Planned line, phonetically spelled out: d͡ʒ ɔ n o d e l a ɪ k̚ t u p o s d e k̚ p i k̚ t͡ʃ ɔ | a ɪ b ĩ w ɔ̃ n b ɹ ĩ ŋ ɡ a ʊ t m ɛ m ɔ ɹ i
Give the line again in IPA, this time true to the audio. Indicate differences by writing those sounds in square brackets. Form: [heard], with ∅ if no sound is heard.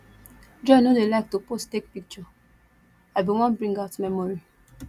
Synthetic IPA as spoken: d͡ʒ ɔ n o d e l a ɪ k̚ t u p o s [t] e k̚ p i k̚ t͡ʃ ɔ | a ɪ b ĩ w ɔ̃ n b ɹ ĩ ŋ ɡ a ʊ t m ɛ m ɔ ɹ i